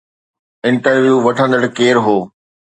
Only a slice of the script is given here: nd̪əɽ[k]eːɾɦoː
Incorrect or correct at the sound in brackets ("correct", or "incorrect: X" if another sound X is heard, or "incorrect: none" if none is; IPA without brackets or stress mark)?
correct